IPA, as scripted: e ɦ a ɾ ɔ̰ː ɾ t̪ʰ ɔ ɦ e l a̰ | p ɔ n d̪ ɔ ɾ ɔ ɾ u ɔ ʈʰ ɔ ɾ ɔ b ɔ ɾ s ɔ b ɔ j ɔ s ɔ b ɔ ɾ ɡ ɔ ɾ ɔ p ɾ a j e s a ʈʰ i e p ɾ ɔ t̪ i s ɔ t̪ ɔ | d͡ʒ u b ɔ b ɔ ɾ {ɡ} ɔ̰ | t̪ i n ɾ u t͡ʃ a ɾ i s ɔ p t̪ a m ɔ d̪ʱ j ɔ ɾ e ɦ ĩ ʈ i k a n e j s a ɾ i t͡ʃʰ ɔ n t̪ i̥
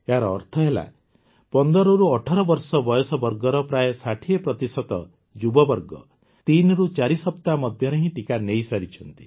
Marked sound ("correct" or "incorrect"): correct